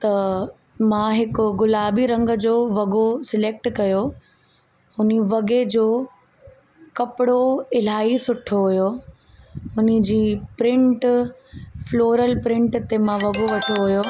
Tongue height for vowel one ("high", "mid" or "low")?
low